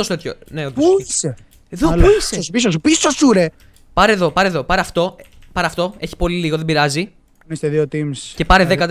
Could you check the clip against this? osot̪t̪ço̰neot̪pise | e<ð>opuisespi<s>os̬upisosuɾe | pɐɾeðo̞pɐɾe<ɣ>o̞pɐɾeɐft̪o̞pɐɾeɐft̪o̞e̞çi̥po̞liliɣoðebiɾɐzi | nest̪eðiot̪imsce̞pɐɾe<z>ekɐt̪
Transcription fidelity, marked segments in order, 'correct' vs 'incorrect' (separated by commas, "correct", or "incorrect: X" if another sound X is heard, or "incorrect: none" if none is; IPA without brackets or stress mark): correct, correct, incorrect: ð, incorrect: ð